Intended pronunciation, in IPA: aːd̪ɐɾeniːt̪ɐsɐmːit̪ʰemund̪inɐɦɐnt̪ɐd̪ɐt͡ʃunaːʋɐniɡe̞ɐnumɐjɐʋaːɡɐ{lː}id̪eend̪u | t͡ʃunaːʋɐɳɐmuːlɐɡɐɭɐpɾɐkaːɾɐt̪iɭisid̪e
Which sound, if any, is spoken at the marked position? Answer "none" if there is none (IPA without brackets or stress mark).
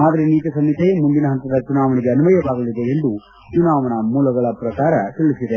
l